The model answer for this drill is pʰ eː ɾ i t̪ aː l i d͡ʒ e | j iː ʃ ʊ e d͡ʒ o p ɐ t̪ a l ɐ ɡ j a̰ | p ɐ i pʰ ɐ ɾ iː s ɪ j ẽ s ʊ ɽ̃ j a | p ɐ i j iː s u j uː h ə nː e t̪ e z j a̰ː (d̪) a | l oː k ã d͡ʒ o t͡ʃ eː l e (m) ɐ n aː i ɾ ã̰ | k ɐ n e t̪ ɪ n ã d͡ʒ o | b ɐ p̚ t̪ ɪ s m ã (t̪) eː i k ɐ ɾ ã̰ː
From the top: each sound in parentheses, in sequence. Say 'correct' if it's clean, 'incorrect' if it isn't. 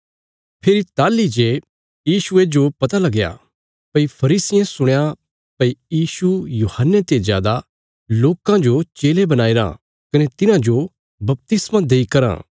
correct, incorrect, incorrect

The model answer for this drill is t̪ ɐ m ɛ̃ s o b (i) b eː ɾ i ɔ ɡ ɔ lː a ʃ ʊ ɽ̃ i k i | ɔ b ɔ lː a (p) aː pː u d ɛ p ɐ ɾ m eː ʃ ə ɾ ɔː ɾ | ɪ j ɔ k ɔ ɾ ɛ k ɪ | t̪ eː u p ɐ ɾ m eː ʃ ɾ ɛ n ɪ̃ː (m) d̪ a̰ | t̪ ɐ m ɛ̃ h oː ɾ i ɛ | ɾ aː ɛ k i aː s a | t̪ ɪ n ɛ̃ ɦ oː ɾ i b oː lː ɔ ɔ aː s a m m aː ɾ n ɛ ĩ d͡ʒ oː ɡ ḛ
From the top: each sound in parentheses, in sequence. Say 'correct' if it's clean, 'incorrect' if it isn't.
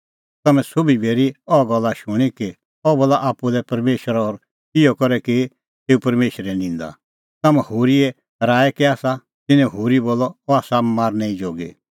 correct, incorrect, incorrect

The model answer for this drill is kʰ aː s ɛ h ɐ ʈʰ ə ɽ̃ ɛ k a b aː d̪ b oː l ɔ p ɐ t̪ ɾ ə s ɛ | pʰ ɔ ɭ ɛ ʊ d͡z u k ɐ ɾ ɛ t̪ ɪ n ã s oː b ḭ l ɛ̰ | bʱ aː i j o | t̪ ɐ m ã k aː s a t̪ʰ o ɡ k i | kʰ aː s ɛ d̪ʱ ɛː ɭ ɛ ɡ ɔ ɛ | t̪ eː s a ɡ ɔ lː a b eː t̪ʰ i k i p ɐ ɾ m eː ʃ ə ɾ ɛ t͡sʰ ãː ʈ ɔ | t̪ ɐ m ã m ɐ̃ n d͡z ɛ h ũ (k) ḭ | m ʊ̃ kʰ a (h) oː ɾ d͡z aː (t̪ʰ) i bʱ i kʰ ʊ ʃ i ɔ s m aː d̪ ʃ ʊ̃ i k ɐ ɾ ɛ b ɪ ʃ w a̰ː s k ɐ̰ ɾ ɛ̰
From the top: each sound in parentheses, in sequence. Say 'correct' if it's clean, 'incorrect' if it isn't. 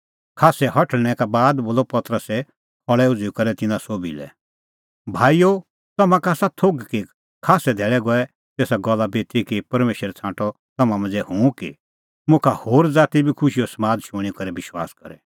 correct, correct, incorrect

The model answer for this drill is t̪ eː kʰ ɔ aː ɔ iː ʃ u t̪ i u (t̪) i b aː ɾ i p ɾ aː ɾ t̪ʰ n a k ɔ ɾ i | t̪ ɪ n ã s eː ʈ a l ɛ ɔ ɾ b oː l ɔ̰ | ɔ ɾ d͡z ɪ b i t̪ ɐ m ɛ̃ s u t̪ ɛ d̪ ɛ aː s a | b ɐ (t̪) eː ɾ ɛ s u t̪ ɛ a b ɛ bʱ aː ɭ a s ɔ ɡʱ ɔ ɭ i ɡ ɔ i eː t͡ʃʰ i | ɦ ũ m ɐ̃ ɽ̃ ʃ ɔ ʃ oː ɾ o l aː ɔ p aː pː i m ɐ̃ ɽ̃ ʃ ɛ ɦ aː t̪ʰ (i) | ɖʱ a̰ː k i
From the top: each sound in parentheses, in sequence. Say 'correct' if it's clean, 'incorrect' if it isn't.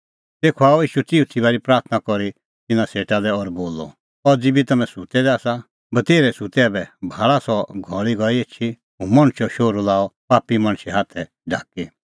incorrect, correct, incorrect

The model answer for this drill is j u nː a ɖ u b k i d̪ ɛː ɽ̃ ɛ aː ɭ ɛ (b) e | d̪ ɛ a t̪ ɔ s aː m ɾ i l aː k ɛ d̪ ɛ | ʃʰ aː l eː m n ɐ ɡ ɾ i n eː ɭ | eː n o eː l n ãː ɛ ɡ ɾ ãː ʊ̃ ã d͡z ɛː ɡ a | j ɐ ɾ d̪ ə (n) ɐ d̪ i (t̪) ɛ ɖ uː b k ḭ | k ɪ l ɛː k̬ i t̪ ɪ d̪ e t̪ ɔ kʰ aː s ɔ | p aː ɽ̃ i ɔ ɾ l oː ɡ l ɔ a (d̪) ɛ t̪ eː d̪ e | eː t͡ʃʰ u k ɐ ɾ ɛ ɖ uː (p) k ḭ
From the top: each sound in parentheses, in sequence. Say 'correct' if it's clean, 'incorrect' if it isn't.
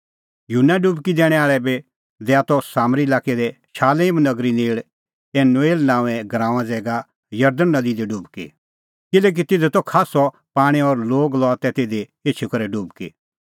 correct, incorrect, incorrect, incorrect, incorrect

